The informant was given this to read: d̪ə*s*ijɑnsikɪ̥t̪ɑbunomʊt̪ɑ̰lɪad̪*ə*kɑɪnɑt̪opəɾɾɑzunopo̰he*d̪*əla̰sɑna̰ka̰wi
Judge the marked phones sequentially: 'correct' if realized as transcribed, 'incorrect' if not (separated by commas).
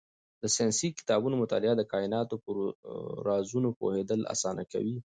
correct, correct, correct